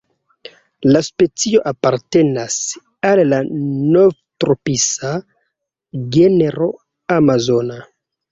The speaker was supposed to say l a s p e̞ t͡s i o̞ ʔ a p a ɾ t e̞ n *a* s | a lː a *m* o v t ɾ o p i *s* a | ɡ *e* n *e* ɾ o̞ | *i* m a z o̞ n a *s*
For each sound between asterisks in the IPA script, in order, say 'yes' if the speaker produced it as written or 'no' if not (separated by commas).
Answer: yes, no, yes, yes, yes, no, no